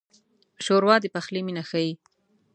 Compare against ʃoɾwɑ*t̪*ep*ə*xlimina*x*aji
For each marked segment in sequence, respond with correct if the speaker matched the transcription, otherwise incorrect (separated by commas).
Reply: incorrect, incorrect, correct